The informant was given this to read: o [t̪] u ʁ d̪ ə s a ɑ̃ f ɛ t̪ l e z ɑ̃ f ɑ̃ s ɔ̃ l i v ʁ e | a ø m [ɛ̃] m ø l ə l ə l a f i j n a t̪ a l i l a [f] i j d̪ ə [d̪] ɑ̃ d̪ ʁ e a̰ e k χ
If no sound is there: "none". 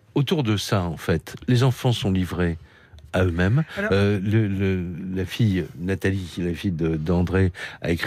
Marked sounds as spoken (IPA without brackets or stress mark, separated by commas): t̪, ɛ, f, d̪